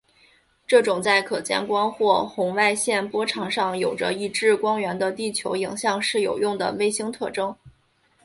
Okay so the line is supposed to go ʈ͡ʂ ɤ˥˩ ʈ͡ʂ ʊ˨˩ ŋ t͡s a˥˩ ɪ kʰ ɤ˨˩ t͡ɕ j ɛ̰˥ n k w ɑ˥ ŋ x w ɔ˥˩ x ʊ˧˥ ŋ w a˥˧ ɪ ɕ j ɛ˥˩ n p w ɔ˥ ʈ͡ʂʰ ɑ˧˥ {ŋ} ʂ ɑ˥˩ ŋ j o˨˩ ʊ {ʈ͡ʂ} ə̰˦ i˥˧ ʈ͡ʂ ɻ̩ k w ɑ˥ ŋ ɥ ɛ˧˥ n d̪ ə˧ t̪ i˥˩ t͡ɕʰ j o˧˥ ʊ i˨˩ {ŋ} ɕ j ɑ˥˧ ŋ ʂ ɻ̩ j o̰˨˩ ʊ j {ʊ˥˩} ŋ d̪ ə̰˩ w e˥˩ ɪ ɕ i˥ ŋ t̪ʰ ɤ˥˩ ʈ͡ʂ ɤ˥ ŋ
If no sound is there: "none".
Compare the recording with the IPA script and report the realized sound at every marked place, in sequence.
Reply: ŋ, ʈ͡ʂ, ŋ, ʊ˥˩

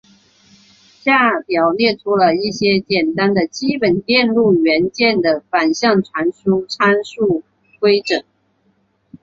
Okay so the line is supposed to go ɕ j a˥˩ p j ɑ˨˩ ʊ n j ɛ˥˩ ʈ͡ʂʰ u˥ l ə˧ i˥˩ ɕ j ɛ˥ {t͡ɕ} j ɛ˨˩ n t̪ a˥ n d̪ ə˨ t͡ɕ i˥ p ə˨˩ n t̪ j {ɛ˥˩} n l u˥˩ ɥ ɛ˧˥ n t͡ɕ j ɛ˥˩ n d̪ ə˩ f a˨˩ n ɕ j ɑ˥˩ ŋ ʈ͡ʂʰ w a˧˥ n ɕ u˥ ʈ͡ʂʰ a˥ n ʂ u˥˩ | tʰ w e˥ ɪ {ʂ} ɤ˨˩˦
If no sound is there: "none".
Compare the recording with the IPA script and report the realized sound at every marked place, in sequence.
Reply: t͡ɕ, ɛ˥˧, ʈ͡ʂ

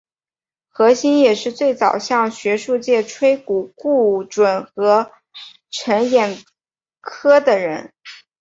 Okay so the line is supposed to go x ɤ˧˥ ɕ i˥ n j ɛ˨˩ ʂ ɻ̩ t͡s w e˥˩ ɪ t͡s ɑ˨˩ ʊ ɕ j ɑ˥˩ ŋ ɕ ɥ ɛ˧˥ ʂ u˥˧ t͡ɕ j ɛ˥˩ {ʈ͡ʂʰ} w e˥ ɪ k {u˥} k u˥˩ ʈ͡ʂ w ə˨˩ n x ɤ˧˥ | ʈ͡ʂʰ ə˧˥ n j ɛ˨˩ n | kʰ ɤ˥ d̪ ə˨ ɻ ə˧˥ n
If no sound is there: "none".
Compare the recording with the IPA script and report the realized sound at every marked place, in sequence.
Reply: ʈ͡ʂʰ, u˨˩

